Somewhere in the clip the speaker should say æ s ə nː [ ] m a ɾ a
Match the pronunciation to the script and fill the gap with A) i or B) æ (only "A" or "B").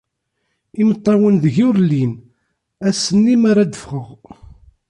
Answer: A